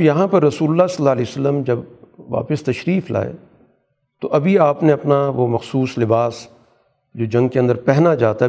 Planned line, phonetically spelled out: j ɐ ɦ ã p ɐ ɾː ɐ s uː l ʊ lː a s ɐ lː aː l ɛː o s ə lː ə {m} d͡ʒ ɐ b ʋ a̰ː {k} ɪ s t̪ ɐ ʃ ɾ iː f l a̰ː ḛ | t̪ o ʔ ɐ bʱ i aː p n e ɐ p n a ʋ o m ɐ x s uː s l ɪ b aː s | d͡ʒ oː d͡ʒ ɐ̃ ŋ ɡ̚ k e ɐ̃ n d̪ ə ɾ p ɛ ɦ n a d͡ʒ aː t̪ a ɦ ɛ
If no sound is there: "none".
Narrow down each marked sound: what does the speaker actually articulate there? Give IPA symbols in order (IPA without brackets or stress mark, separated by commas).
m, p